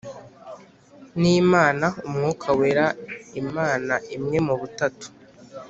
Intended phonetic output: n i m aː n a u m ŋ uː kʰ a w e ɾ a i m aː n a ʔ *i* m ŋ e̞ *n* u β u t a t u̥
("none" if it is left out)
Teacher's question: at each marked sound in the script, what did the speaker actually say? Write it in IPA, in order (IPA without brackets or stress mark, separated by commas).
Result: i, m